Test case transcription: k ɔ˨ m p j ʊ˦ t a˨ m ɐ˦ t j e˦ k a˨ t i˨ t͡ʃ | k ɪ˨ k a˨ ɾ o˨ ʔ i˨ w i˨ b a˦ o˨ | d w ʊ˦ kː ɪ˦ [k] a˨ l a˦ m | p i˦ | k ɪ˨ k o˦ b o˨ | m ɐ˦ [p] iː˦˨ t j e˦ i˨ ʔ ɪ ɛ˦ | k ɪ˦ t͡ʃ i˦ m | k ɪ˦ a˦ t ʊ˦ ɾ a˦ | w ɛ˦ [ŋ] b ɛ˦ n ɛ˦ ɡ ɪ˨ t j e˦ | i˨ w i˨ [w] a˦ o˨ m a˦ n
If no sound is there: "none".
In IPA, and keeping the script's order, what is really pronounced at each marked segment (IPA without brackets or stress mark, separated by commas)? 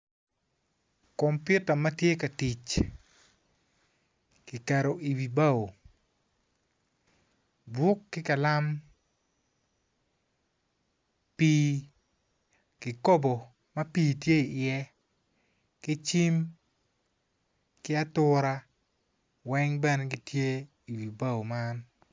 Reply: k, p, ŋ, b